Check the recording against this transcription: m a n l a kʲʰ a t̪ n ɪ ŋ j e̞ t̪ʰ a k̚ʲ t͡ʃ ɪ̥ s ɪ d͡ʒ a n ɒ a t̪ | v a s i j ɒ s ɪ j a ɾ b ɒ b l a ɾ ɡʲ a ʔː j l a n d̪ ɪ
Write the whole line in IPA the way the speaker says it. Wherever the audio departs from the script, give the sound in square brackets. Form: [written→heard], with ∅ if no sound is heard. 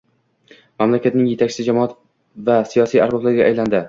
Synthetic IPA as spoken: m a [n→m] l a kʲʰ a t̪ n ɪ ŋ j e̞ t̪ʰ a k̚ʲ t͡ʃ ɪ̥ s ɪ d͡ʒ a [n→m] ɒ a t̪ | v a s i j ɒ s [ɪ→i] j a ɾ b ɒ b l a ɾ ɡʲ a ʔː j l a n d̪ ɪ